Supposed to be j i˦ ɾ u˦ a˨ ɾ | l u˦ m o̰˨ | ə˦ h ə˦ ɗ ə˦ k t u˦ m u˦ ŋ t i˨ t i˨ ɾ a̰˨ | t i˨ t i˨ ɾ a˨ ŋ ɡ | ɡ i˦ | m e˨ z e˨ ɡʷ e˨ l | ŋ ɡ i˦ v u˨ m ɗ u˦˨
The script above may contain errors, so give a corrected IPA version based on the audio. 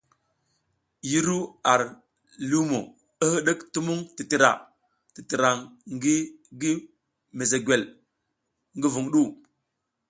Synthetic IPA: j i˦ ɾ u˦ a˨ ɾ | l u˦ m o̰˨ | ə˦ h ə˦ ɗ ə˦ k t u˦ m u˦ ŋ t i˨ t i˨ ɾ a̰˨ | t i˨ t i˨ ɾ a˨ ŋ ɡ | ɡ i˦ | m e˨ z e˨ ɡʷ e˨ l | ŋ ɡ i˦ v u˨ ŋ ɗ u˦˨